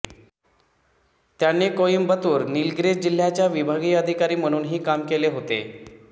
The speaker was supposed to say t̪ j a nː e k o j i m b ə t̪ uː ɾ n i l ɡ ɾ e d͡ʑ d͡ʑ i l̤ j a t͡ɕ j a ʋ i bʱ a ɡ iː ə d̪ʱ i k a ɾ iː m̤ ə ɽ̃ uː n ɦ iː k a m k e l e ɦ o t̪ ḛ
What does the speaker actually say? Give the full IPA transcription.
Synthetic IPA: t̪ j a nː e k o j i m b ə t̪ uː ɾ n i l ɡ ɾ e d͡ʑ d͡ʑ i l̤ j a t͡ɕ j a ʋ i bʱ a ɡ iː ə d̪ʱ i k a ɾ iː m̤ ə ɽ̃ uː n ɦ iː k a m k e l e ɦ o t̪ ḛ